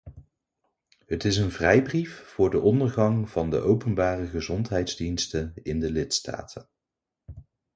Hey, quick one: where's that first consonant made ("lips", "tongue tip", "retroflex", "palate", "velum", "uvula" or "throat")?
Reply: throat